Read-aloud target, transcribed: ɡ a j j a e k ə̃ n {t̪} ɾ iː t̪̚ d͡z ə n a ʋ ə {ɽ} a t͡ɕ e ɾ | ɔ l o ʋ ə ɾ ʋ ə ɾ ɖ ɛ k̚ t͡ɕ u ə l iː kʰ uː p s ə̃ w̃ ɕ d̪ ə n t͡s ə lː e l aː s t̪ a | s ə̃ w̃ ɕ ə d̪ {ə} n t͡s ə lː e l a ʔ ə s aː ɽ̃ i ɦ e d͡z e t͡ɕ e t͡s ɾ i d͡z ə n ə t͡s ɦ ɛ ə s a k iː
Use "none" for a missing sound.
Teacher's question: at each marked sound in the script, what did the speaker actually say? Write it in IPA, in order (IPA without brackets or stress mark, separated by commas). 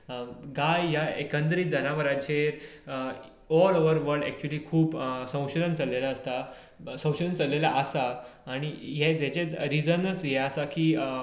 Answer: d̪, ɾ, ə